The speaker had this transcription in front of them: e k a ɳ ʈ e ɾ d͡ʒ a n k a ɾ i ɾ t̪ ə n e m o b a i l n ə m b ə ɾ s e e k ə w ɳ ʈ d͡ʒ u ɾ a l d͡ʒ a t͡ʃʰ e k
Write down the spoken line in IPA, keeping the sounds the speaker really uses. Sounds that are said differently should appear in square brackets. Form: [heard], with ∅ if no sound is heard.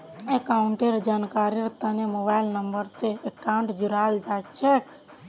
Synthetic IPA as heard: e k a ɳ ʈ e ɾ d͡ʒ a n k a ɾ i ɾ t̪ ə n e m o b a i l n ə m b ə ɾ s e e k [a] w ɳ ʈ d͡ʒ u ɾ a l d͡ʒ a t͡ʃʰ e k